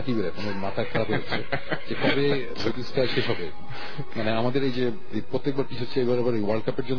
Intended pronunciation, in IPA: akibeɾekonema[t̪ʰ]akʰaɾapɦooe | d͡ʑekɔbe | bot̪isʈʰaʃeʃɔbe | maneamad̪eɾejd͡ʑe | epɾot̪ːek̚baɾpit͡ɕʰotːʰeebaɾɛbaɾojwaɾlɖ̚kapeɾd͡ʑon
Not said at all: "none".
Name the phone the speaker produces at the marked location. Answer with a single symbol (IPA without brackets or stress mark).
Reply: t̪ʰ